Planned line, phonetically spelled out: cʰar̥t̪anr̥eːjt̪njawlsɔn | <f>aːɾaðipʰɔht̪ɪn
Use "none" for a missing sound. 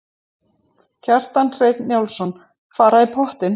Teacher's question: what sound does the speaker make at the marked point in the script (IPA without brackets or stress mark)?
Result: f